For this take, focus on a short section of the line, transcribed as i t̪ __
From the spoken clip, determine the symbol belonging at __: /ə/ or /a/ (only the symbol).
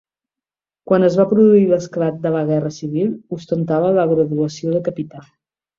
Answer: a